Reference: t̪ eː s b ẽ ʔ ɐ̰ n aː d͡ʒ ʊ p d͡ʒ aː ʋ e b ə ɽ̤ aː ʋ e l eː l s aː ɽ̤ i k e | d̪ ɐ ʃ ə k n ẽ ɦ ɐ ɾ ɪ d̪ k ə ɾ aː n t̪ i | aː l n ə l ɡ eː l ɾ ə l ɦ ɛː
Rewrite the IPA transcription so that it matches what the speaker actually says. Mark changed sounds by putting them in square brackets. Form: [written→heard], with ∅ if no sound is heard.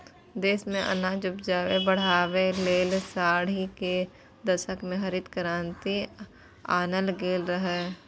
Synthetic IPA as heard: [t̪→d̪] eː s [b→m] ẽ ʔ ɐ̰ n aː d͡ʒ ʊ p d͡ʒ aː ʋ e b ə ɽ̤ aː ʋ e l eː l s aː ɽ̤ i k e | d̪ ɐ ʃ ə k [n→m] ẽ ɦ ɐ ɾ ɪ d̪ k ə ɾ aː n t̪ i | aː [l→∅] n ə l ɡ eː l ɾ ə [l→∅] ɦ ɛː